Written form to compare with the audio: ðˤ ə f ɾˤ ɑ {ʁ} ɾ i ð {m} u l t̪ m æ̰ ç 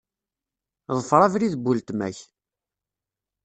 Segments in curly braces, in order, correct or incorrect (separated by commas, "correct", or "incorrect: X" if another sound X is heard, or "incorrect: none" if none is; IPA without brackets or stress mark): incorrect: v, incorrect: b